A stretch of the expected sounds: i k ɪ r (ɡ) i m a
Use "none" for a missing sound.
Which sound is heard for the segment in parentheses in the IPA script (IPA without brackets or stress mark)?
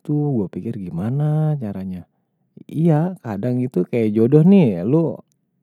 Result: ɡ